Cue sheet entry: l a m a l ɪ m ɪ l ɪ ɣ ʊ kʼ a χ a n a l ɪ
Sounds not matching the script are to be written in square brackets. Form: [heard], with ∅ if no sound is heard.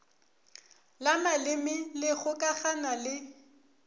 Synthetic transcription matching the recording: l a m a l ɪ m ɪ l ɪ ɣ ʊ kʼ a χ a n a l ɪ